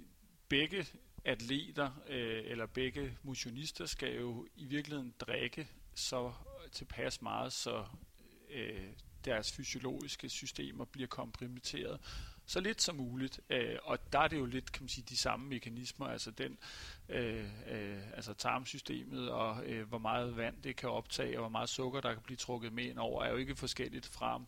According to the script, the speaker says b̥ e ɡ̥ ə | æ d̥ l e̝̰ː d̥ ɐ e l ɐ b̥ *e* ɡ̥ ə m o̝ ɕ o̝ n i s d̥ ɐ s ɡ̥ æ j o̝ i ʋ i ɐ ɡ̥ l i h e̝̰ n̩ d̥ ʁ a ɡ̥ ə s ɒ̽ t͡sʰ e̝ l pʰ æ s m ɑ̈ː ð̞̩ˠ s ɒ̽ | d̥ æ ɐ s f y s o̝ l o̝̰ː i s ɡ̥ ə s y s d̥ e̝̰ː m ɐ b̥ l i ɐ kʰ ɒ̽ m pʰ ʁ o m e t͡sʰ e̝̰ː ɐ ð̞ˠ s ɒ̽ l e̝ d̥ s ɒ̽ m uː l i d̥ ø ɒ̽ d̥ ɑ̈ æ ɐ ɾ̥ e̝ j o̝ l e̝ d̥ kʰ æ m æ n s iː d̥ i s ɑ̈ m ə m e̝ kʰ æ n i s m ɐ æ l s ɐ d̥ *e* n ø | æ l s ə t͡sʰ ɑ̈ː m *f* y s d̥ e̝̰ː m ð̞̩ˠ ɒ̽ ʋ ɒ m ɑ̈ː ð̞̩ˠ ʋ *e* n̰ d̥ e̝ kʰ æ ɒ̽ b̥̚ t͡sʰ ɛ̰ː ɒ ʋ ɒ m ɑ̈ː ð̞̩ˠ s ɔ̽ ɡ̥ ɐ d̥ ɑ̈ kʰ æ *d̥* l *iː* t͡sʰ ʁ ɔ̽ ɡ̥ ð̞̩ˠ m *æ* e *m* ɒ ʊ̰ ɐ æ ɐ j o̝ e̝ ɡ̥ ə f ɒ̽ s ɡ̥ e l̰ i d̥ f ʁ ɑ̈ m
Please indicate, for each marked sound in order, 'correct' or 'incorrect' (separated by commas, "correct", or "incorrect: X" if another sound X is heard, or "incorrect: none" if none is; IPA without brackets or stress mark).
correct, correct, incorrect: s, incorrect: æ, incorrect: b̥, correct, incorrect: e, incorrect: n